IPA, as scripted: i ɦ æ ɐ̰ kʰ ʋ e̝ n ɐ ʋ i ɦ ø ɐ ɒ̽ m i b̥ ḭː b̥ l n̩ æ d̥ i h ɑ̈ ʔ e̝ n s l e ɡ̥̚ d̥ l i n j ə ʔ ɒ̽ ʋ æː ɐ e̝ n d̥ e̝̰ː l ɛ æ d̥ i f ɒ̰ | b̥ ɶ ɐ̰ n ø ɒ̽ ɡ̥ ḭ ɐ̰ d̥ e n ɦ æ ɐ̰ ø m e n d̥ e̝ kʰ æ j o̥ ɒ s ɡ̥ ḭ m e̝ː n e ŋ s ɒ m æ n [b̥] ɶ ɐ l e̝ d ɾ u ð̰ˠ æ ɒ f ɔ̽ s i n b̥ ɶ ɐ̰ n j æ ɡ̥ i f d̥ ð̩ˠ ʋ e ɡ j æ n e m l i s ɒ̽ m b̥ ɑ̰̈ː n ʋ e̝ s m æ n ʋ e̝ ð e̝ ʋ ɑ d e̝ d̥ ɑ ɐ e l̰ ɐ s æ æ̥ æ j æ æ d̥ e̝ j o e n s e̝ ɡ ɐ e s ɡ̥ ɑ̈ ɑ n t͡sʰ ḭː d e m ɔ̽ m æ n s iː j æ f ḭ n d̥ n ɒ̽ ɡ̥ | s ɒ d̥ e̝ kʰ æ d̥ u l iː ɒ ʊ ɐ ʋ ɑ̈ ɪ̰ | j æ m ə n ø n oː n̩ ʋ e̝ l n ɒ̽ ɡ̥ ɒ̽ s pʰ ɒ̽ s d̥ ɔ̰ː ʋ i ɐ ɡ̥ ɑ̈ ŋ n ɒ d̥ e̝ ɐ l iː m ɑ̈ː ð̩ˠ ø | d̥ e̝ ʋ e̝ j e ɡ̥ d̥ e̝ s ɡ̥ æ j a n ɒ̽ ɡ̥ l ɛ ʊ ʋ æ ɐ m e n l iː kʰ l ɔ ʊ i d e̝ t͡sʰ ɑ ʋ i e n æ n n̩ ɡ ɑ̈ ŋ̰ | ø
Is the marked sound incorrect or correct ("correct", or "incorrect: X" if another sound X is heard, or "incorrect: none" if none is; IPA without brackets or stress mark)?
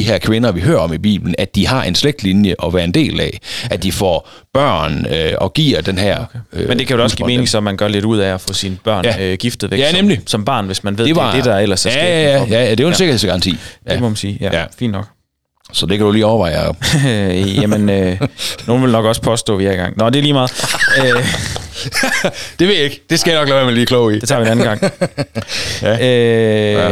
incorrect: ɡ̥